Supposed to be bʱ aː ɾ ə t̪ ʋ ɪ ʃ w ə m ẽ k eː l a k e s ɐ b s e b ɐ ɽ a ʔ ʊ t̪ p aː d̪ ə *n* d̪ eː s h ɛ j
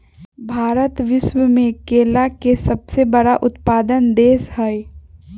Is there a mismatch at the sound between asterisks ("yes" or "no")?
no